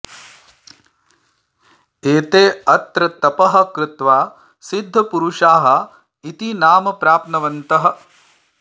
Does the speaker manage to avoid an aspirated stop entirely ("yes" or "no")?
yes